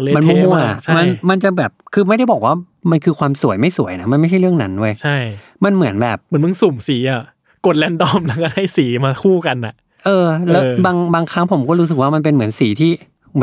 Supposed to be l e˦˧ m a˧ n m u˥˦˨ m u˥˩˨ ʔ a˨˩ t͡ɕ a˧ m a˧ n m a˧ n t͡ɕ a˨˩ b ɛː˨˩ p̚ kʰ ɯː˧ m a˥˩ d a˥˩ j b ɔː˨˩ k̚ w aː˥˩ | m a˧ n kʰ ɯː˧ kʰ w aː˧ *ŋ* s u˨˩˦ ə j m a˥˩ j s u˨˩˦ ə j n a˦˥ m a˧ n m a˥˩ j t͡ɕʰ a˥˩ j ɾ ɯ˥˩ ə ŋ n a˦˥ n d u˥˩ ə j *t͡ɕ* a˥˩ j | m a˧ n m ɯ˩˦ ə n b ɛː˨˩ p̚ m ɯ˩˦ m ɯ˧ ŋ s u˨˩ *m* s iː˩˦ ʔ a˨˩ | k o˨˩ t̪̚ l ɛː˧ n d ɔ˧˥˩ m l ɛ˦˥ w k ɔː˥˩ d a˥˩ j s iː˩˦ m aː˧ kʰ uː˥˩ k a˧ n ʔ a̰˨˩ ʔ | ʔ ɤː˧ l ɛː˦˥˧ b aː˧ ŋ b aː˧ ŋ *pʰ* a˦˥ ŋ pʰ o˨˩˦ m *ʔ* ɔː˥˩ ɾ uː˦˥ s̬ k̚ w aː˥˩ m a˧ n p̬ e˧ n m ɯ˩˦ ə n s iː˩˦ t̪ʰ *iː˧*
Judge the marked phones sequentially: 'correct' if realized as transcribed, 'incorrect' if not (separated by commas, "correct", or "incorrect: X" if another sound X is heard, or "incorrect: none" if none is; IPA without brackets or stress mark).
incorrect: m, incorrect: t͡ɕʰ, correct, incorrect: kʰ, incorrect: k, incorrect: iː˥˩˦